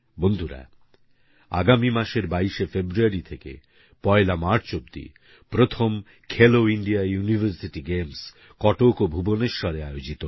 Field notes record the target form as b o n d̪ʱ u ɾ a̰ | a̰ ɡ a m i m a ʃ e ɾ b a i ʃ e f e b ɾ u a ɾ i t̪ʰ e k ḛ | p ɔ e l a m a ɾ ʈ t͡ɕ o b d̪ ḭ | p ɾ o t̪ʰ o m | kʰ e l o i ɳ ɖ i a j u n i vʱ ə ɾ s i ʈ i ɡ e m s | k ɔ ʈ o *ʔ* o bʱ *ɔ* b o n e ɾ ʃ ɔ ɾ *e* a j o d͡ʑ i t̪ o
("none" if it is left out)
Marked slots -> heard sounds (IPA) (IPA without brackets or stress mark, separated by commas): k, u, e